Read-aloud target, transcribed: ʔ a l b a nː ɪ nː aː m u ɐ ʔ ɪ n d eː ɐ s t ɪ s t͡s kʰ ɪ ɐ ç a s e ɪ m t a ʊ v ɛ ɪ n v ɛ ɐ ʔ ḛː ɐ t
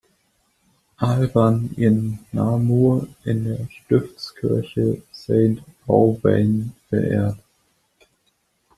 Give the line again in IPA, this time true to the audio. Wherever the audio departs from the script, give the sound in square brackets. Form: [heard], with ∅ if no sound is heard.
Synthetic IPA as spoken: ʔ a l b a [n] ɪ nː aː m u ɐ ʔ ɪ n d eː ɐ [ʃ] t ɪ [f] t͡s kʰ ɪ ɐ ç [ə] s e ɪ [n] t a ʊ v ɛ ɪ n [f] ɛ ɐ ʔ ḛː ɐ t